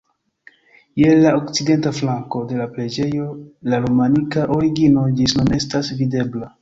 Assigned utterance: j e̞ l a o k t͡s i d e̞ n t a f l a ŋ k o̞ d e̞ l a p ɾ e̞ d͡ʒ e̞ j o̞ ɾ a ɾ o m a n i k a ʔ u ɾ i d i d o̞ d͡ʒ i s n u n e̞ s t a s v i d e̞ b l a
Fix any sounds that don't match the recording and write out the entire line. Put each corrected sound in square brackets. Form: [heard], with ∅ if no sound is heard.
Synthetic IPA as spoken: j e̞ l a o k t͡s i d e̞ n t a f l a ŋ k o̞ d e̞ l a p ɾ e̞ d͡ʒ e̞ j o̞ [l] a ɾ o m a n i k a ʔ [o] ɾ i [ɡ] i [n] o̞ d͡ʒ i s n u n e̞ s t a s v i d e̞ b l a